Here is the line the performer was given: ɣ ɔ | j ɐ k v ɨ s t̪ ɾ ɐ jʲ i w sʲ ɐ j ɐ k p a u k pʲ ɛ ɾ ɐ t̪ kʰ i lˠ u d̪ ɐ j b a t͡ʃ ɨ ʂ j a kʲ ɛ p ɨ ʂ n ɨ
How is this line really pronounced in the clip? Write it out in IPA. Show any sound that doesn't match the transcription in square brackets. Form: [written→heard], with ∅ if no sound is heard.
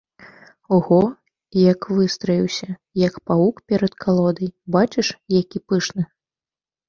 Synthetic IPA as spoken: ɣ ɔ | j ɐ k v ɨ s t̪ ɾ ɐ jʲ i w sʲ ɐ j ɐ k p a u k pʲ ɛ ɾ ɐ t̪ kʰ [i→a] lˠ [u→ɔ] d̪ ɐ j b a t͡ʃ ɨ ʂ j a kʲ [ɛ→i] p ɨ ʂ n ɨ